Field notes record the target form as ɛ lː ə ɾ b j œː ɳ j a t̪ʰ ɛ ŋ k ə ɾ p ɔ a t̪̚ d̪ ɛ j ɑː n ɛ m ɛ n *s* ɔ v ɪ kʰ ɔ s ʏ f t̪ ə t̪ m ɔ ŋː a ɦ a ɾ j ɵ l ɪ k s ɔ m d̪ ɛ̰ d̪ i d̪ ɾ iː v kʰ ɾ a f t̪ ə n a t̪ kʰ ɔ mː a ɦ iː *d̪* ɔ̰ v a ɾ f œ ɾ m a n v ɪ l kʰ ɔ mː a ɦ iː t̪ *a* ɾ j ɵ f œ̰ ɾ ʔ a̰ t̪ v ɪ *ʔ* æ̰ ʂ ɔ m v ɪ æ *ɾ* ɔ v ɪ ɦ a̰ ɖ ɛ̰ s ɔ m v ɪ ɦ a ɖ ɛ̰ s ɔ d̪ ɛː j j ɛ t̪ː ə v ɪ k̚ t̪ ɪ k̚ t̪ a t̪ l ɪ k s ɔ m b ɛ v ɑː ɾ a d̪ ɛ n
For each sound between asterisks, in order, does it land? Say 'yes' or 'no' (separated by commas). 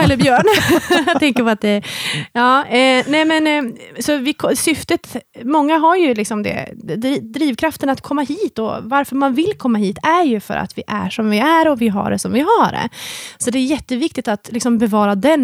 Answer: yes, no, no, yes, yes